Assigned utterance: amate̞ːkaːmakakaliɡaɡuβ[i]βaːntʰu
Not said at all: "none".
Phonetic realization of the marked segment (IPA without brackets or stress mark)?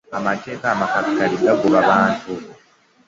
a